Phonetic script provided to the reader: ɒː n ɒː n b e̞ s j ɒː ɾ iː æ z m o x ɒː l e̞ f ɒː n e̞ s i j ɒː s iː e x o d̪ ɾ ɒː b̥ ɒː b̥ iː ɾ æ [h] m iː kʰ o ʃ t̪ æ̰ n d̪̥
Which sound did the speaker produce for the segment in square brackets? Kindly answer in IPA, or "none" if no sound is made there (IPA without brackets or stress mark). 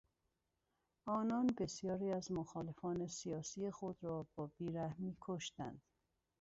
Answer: h